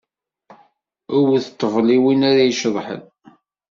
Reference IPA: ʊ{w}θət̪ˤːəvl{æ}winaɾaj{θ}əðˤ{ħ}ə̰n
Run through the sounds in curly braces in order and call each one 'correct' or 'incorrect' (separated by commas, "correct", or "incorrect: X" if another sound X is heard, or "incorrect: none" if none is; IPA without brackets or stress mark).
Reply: correct, incorrect: i, incorrect: ʃ, correct